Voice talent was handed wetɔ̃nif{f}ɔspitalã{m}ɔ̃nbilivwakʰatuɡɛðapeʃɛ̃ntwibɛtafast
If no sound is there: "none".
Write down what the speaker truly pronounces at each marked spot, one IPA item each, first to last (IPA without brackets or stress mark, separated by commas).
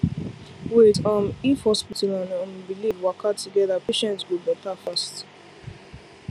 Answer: h, n